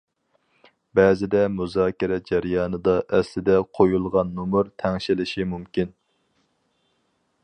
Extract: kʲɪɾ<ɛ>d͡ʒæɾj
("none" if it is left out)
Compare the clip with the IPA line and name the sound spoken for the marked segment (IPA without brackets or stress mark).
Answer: ɛ